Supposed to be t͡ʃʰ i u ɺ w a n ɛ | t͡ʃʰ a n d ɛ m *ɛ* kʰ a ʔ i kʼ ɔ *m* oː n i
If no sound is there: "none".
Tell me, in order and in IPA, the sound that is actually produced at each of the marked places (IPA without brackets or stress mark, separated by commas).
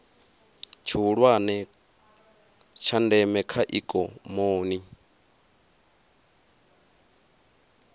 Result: ɛ, m